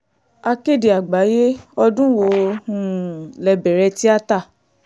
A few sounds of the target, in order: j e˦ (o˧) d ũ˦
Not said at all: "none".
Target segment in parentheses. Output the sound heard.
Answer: ɔ˧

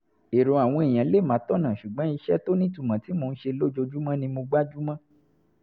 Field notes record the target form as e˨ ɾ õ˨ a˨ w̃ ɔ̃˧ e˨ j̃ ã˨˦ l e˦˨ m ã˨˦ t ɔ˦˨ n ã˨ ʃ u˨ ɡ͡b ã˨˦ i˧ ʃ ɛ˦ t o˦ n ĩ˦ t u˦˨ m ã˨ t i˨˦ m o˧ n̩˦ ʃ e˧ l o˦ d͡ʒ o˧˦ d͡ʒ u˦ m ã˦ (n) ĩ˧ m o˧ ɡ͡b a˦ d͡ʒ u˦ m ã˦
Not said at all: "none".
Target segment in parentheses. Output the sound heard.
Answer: n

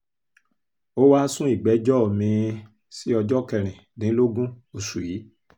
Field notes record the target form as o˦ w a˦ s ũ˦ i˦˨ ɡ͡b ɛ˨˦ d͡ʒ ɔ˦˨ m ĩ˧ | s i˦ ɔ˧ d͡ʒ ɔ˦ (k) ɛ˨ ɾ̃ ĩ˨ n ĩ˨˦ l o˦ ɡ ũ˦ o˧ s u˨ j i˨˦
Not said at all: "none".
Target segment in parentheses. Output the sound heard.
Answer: k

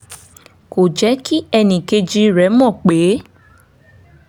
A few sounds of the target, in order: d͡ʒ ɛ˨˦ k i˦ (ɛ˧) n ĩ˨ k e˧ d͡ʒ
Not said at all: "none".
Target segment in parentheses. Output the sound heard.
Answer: ɛ˧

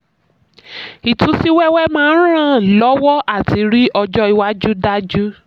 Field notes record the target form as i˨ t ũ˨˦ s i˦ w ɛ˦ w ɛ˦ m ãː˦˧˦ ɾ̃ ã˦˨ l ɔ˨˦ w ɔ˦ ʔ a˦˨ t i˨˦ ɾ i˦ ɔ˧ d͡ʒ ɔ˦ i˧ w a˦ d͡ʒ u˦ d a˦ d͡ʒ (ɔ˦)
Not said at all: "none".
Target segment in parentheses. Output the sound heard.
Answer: u˦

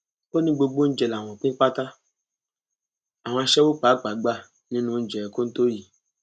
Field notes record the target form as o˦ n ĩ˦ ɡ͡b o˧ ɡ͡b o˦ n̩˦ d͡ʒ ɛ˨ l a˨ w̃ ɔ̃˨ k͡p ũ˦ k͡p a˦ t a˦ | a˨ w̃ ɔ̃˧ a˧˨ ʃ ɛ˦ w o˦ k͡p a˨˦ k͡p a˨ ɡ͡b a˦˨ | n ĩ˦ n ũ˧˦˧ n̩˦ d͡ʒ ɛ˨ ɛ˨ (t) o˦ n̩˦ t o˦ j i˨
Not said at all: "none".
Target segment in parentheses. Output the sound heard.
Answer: k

